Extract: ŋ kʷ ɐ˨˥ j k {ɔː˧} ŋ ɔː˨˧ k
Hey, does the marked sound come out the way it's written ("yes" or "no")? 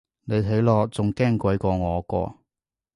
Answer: yes